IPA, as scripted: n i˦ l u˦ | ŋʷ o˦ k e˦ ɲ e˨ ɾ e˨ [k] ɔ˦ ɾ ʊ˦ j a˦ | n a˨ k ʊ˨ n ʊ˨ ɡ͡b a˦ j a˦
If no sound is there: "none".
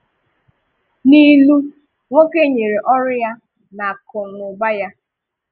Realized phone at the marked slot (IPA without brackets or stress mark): ʔ